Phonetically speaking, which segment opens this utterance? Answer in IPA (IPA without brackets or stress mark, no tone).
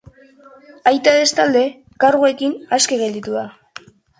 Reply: a